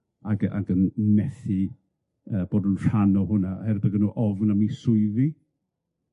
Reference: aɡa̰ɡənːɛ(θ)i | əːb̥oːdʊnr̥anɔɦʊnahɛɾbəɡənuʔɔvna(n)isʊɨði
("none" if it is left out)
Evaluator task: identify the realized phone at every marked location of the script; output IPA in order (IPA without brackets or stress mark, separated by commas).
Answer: θ, m